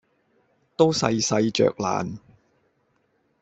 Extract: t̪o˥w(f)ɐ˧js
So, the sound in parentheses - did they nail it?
no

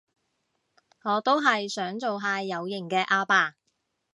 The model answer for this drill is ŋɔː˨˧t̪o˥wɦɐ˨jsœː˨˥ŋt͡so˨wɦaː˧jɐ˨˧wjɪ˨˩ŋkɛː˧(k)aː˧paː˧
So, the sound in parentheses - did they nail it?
no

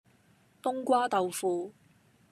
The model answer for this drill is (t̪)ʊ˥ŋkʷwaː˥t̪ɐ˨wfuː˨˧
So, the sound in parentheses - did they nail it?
yes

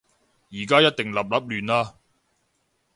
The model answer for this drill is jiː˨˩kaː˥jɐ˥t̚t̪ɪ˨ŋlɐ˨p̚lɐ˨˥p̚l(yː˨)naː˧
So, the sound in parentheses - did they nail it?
yes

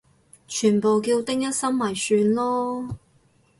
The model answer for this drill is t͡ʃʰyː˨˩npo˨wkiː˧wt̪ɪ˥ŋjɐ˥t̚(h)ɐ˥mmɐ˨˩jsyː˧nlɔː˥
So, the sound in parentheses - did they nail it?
no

